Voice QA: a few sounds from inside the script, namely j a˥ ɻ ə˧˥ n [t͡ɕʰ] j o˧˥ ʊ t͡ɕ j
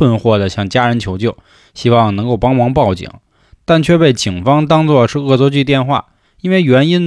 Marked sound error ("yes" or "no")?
no